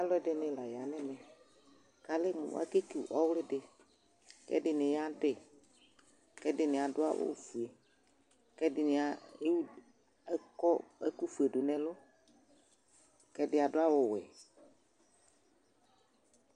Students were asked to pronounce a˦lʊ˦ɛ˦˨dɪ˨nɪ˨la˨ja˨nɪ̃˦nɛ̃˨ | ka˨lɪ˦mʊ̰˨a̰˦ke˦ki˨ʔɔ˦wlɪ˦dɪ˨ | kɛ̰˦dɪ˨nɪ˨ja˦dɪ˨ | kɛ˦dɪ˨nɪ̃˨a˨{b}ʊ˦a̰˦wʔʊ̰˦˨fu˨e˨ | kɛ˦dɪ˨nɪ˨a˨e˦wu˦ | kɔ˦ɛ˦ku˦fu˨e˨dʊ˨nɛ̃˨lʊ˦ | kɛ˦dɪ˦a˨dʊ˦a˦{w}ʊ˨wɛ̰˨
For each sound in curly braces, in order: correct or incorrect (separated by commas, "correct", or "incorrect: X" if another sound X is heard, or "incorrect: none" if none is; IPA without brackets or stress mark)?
incorrect: d, correct